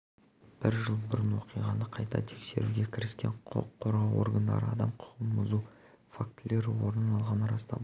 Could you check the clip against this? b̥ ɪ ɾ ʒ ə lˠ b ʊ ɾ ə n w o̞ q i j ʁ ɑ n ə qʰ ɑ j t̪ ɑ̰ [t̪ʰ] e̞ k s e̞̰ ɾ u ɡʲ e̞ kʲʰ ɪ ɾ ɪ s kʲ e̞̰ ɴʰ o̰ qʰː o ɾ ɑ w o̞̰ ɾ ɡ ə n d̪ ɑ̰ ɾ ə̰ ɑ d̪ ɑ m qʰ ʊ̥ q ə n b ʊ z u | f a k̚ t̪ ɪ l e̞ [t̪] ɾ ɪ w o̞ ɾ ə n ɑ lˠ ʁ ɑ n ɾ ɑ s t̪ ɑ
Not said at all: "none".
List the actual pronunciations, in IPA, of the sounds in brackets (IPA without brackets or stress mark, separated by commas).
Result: t̪ʰ, none